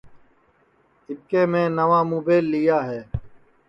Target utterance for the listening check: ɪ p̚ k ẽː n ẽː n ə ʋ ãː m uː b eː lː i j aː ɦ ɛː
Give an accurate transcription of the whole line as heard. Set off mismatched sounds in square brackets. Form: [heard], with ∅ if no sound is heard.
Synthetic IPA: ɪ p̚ k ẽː [m] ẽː n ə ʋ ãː m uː b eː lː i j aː ɦ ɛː